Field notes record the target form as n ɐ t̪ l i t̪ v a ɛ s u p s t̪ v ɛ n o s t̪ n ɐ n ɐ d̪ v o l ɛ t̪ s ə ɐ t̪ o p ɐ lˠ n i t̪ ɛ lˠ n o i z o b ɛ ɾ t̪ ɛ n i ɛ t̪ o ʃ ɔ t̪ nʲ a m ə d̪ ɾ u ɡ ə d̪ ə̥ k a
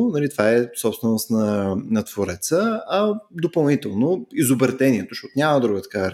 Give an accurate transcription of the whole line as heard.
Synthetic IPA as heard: n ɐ l i t̪ v a ɛ s ɔ p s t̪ v ɛ n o s t̪ n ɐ n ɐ t̪ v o ɾ ɛ t̪ s ə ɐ d̪ o p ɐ lˠ n i t̪ ɛ lˠ n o i z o b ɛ ɾ t̪ ɛ n i ɛ t̪ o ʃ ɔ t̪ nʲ a m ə d̪ ɾ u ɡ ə t̪ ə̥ k a